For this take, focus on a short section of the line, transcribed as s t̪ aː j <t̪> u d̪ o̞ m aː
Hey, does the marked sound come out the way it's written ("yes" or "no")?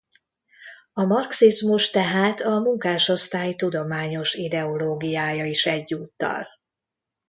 yes